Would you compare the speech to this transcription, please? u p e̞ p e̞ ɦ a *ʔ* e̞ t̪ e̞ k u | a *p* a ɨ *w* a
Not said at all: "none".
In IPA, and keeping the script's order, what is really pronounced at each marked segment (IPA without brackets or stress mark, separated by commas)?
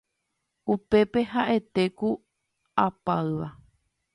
ʔ, p, ʋ